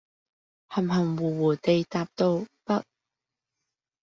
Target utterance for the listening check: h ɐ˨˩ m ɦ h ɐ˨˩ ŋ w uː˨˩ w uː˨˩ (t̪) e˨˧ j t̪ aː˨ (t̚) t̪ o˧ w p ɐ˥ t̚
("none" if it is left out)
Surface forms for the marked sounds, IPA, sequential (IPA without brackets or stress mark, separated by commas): t̪, p̚